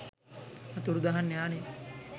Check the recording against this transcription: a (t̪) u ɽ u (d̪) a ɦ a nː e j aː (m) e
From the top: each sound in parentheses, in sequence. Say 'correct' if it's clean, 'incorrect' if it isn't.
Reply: correct, correct, incorrect

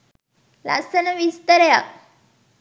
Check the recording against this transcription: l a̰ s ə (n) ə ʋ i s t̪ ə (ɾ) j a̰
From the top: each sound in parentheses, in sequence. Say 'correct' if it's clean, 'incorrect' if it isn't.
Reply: correct, correct

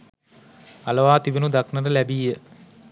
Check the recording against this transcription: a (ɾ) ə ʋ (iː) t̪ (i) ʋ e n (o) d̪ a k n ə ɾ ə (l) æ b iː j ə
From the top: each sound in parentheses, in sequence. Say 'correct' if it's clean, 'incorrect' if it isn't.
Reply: incorrect, incorrect, correct, incorrect, correct

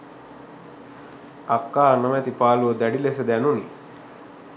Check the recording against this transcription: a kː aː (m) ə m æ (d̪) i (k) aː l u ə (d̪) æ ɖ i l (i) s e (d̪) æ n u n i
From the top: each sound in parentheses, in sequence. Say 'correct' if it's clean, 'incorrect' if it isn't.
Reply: incorrect, incorrect, incorrect, correct, incorrect, correct

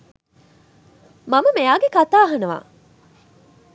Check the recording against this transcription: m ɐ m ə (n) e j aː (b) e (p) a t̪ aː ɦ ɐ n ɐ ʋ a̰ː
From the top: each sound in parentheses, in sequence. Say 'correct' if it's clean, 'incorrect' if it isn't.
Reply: incorrect, incorrect, incorrect

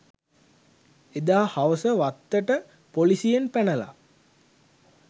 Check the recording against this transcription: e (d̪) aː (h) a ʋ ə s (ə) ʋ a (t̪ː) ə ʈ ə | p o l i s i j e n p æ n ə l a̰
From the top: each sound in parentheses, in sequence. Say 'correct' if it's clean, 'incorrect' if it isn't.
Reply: correct, correct, correct, correct

